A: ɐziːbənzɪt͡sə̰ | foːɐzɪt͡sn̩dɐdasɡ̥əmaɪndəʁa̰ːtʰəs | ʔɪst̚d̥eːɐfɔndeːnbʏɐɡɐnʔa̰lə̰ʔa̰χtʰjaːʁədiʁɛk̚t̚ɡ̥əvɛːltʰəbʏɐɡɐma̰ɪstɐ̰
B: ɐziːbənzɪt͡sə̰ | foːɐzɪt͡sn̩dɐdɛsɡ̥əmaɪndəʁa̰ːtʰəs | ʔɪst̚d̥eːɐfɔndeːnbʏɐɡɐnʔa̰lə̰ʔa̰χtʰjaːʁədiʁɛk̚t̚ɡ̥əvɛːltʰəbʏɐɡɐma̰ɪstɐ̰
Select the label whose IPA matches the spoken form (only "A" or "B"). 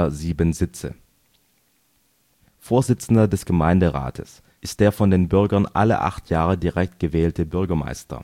B